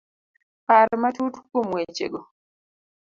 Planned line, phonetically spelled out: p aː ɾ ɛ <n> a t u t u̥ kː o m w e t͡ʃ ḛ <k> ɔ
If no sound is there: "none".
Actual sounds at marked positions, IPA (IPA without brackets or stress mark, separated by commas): m, ɡ